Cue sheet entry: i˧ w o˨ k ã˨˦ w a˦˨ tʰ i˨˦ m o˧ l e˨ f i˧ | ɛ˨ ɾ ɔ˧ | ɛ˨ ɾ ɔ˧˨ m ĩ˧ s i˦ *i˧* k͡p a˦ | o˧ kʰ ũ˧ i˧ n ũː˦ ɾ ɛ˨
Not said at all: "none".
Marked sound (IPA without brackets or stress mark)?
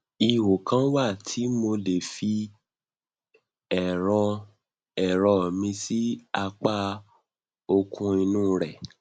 a˧